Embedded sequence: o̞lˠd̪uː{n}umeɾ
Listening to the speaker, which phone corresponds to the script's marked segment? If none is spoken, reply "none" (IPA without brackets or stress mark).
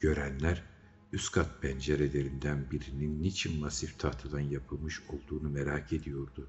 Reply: n